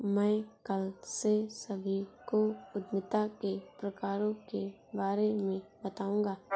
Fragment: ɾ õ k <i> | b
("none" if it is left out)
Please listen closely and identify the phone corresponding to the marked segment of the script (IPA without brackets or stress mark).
e